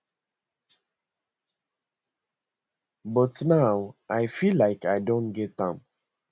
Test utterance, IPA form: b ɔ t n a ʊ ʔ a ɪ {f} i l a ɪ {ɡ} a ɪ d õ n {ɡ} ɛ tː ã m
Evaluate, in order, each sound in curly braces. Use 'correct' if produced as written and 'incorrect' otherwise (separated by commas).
correct, incorrect, correct